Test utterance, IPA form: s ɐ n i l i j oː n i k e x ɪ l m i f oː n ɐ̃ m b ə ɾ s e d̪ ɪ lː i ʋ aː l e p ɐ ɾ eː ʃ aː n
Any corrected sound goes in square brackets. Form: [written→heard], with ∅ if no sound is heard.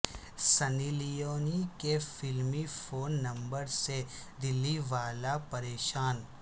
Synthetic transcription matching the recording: s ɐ n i l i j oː n i k e [x→f] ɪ l m i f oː [n→nː] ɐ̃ m b ə ɾ s e d̪ ɪ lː i ʋ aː l [e→a] p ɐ ɾ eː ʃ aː n

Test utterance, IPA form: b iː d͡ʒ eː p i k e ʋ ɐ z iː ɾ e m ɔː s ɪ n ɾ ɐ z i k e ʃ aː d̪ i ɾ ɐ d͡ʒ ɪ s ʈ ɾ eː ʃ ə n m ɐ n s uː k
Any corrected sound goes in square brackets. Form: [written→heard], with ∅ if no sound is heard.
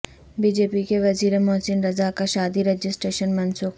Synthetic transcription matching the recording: b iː d͡ʒ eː p i k e ʋ ɐ z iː ɾ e m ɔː s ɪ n ɾ ɐ z [i→a] k [e→a] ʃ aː d̪ i ɾ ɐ d͡ʒ ɪ s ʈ ɾ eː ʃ ə n m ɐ n s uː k

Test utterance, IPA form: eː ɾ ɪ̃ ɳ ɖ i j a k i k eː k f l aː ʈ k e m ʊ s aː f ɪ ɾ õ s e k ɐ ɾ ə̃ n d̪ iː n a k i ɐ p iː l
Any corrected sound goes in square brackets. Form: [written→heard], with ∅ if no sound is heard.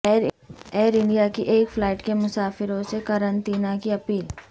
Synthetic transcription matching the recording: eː ɾ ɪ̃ ɳ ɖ i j a k i [k→ʔ] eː k f l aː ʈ k e m ʊ s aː f ɪ ɾ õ s e k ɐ ɾ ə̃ n [d̪→t̪] iː n a k i ɐ p iː l

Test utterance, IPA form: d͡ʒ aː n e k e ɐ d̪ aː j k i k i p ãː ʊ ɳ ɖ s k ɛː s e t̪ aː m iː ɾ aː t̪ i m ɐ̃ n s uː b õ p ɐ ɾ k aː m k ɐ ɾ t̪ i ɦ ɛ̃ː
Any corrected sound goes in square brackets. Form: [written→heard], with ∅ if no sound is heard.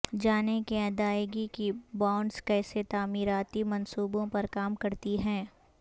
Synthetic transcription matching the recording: d͡ʒ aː n e k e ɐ d̪ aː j [k→ɡ] i k i [p→b] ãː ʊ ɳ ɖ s k ɛː s e t̪ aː m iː ɾ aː t̪ i m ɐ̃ n s uː b õ p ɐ ɾ k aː m k ɐ ɾ t̪ i ɦ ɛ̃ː

